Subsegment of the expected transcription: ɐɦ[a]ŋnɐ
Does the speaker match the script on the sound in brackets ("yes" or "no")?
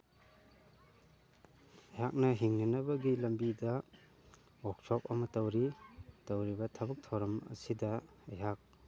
no